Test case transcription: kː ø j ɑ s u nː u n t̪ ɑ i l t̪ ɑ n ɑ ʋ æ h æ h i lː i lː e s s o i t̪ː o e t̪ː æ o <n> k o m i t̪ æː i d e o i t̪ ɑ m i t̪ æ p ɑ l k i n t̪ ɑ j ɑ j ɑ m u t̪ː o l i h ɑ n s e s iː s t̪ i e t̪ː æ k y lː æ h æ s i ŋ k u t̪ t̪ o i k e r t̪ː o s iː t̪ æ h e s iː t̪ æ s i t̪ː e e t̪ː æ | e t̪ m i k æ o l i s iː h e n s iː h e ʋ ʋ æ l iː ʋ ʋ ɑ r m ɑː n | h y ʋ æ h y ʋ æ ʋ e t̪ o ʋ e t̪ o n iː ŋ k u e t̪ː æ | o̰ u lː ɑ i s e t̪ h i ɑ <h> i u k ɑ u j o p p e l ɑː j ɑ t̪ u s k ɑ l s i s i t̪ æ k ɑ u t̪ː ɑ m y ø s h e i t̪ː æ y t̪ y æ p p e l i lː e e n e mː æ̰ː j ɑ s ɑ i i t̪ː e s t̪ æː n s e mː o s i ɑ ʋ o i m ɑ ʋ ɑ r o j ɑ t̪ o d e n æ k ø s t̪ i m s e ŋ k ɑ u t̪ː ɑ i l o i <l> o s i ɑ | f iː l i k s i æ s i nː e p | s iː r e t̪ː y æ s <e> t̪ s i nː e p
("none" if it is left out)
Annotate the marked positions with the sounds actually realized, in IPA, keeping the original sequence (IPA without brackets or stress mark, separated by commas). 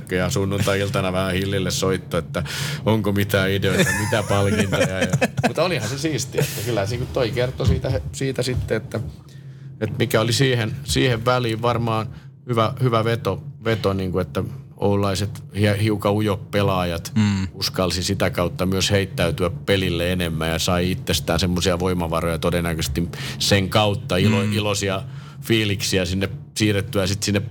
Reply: ŋ, h, l, i